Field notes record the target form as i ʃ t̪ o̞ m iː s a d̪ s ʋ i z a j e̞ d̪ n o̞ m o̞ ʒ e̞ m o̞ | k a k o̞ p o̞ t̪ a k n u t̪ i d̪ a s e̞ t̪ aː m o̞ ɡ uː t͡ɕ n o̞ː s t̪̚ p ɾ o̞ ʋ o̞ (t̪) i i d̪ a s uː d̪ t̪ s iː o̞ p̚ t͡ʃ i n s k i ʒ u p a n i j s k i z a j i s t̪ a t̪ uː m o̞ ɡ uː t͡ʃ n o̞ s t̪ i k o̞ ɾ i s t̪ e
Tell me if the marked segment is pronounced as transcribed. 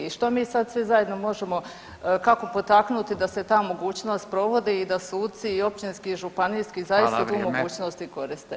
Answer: no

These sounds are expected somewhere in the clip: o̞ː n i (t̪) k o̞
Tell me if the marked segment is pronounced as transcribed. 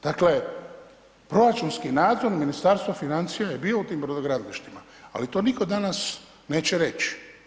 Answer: no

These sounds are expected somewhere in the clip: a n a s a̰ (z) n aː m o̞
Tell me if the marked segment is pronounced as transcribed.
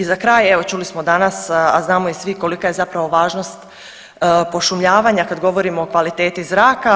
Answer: yes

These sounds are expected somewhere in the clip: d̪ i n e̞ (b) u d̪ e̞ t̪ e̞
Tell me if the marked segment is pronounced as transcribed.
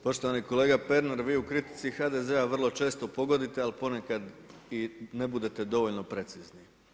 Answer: yes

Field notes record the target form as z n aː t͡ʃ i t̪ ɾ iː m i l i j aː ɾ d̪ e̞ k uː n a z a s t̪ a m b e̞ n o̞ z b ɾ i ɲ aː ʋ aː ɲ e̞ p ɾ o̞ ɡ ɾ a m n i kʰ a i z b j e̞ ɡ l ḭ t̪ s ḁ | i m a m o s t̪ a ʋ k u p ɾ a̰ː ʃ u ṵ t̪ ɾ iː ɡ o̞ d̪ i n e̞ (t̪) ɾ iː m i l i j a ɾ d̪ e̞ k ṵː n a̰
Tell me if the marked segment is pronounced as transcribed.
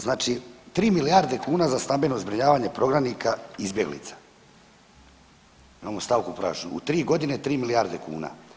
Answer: yes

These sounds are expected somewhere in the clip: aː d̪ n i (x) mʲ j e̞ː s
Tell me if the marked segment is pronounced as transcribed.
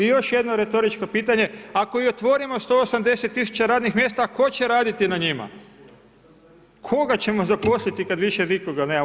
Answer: yes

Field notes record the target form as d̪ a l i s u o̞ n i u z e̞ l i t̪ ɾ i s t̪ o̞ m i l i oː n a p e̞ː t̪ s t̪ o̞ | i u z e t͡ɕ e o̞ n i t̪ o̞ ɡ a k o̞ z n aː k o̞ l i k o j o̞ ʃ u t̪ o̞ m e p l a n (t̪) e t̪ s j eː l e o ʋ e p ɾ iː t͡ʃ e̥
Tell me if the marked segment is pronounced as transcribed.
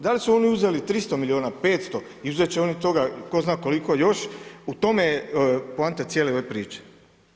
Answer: yes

